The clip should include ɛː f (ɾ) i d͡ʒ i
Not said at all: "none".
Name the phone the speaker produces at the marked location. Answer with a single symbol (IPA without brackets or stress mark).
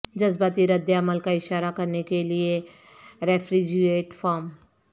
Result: ɾ